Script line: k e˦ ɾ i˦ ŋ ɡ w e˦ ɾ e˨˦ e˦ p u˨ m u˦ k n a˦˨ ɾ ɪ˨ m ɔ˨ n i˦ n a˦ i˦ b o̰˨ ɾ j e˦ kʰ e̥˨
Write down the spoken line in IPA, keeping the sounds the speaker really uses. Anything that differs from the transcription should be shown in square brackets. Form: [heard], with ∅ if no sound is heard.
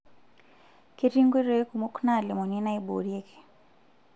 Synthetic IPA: k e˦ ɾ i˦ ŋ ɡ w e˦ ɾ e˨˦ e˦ [k] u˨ m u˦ k n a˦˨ [l] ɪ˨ m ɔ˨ n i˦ n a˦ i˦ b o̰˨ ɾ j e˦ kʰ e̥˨